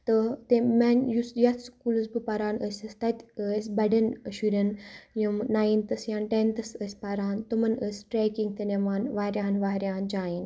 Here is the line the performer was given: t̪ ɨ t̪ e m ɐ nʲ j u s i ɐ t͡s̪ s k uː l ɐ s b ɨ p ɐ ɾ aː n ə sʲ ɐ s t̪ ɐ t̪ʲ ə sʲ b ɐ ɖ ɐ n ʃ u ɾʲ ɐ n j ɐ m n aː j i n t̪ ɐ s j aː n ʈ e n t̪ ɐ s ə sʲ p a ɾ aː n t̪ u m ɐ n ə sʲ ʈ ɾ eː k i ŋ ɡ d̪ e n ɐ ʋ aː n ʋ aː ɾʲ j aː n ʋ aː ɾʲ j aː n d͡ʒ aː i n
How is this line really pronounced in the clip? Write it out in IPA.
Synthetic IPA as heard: t̪ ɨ t̪ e m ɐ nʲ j u s j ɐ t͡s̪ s k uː l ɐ s b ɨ p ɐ ɾ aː n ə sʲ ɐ s t̪ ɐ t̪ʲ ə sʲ b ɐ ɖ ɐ n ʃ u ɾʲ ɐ n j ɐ m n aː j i n t̪ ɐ s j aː n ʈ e n t̪ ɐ s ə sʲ p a ɾ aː n t̪ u m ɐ n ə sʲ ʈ ɾ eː k i ŋ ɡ t̪ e n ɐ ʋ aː n ʋ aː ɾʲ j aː n ʋ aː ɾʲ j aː n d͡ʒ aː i n